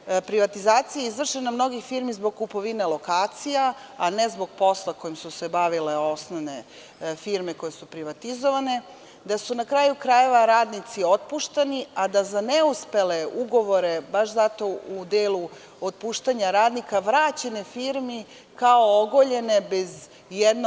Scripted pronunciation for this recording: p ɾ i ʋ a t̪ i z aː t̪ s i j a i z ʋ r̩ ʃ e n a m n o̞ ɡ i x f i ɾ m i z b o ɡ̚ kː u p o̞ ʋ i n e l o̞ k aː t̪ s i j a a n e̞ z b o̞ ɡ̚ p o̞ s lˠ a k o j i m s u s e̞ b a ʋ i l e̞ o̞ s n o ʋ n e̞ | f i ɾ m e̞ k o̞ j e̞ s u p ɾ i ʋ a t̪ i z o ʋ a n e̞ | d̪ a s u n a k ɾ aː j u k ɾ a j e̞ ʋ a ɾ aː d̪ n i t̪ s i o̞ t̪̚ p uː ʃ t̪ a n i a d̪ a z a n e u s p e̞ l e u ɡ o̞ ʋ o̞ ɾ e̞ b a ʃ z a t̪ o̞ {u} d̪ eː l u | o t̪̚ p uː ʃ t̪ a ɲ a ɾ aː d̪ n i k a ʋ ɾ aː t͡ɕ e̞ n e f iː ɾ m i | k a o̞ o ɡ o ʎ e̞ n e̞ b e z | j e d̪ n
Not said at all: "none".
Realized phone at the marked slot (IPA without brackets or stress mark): u